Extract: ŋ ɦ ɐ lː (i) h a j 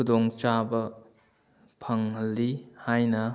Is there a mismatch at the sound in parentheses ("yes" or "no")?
no